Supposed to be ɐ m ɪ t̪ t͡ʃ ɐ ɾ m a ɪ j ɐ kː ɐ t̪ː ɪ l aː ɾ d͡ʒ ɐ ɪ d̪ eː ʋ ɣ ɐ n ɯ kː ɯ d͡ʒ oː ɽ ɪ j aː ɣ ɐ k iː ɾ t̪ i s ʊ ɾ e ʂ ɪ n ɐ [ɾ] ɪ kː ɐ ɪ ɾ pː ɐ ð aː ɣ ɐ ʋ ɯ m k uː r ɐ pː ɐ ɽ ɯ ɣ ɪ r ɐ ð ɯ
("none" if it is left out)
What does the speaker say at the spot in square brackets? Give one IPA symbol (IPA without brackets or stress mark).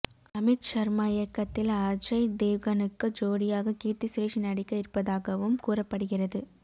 ɽ